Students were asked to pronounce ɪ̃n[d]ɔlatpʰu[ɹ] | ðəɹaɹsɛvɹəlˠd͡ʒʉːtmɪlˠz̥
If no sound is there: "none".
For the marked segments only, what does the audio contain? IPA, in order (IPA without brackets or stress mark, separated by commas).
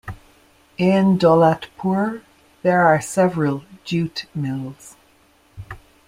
d, ɹ